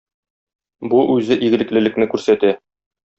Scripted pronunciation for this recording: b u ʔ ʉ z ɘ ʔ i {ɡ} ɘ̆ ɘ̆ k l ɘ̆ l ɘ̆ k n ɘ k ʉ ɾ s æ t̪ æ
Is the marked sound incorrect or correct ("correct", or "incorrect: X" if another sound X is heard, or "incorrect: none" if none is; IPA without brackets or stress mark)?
correct